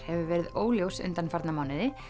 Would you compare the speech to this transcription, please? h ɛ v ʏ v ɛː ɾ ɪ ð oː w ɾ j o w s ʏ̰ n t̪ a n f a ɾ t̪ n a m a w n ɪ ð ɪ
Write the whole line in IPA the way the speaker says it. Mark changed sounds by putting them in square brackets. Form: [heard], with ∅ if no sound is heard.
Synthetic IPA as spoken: h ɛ v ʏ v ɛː ɾ ɪ ð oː w [l] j o w s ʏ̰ n t̪ a n f a ɾ t̪ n a m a w n ɪ ð ɪ